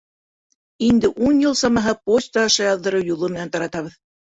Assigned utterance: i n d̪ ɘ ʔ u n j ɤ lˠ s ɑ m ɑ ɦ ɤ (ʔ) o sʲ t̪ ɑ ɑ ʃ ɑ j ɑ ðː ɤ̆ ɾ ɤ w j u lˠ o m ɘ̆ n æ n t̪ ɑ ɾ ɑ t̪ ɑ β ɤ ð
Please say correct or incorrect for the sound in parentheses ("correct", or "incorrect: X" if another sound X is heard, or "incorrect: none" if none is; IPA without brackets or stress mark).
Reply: incorrect: p